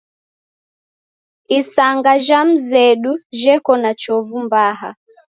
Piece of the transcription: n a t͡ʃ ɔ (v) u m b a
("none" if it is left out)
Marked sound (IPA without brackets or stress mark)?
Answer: v